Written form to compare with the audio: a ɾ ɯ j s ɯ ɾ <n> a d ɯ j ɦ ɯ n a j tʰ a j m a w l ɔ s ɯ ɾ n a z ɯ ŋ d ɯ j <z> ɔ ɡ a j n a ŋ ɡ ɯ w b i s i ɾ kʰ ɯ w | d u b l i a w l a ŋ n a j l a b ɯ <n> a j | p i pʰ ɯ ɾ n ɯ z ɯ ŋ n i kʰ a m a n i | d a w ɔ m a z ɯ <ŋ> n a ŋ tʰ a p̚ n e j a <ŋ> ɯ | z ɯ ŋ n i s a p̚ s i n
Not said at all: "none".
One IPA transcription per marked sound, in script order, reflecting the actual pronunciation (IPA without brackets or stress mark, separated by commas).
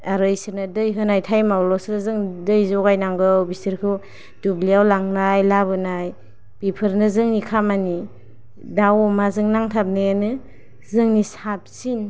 n, z, n, ŋ, n